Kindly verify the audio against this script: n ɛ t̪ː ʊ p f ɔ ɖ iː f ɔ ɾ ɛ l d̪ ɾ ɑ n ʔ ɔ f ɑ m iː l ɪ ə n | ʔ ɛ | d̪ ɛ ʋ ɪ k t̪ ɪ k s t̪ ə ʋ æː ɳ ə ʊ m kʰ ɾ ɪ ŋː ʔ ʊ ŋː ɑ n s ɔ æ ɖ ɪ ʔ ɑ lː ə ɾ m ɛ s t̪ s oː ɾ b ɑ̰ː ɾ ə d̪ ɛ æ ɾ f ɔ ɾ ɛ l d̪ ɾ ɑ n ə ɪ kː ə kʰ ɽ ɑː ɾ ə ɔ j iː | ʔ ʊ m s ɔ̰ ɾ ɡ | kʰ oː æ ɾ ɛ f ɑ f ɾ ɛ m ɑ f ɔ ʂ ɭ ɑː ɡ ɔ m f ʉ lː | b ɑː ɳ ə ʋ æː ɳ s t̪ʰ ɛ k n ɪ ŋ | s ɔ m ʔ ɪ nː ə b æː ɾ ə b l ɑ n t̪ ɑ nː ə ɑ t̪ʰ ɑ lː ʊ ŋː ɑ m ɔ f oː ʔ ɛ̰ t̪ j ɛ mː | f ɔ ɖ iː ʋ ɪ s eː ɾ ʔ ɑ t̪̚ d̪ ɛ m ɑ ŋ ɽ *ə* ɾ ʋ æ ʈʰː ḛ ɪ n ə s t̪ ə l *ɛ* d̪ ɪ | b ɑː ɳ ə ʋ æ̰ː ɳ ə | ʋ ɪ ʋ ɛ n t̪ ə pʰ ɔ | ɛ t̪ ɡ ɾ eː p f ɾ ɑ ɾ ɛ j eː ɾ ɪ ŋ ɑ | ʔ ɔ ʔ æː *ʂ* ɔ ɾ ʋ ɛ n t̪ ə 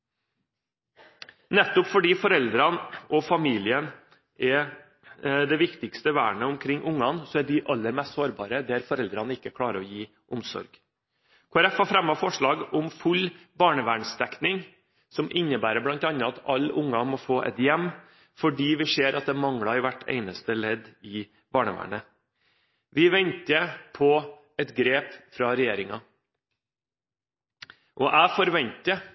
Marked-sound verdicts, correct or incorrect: incorrect, correct, incorrect

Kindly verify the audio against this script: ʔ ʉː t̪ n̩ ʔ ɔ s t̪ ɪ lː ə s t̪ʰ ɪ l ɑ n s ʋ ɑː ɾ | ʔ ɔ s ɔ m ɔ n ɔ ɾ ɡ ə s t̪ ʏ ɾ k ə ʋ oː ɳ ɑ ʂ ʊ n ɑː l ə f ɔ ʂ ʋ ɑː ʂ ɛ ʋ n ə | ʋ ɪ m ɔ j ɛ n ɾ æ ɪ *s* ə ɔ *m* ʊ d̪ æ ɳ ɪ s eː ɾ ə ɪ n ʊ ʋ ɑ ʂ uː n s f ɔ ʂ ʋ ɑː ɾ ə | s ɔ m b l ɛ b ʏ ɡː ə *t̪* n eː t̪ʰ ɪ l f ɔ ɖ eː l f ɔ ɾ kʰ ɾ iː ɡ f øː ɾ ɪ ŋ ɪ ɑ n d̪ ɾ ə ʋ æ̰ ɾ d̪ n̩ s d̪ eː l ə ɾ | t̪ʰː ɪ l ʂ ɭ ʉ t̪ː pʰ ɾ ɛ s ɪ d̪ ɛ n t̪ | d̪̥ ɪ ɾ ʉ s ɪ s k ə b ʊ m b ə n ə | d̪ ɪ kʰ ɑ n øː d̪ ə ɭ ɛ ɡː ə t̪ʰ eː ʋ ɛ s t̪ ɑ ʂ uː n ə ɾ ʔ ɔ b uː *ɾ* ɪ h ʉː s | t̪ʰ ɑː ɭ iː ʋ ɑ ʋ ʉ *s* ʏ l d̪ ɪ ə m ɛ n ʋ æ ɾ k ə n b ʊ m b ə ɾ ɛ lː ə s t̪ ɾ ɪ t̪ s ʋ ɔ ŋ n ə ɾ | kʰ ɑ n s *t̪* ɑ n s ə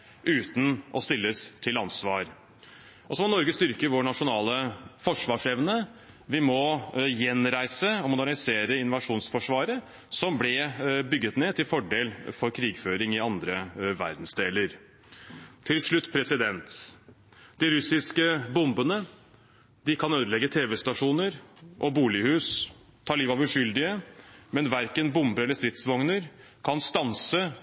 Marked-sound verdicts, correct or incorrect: correct, correct, correct, incorrect, incorrect, correct

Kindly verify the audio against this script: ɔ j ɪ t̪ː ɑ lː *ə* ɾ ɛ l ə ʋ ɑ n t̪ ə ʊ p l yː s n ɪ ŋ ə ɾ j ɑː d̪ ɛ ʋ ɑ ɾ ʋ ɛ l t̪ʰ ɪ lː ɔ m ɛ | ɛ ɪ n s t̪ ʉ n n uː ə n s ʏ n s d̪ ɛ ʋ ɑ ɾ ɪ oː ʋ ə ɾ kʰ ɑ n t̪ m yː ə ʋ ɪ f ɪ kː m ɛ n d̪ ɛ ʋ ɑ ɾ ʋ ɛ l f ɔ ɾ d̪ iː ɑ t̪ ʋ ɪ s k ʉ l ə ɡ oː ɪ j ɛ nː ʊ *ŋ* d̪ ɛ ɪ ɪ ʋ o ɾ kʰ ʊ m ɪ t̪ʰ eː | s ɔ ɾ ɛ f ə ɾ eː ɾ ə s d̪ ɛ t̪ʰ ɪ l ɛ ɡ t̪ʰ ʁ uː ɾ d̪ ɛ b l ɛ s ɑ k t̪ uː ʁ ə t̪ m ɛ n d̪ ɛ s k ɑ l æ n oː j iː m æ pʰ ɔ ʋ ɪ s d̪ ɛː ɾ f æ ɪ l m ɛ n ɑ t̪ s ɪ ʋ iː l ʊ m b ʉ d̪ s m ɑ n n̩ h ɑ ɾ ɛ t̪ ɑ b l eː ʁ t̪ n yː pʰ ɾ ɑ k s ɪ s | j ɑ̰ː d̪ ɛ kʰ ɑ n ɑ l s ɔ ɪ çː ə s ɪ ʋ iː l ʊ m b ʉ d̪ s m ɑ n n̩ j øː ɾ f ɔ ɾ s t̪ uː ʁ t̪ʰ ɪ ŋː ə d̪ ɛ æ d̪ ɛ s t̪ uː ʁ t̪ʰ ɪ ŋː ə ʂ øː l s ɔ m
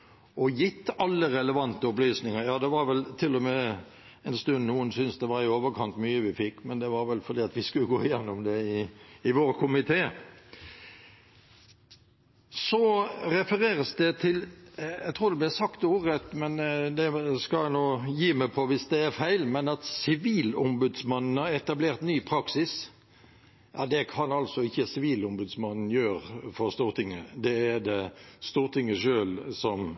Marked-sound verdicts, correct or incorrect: correct, incorrect

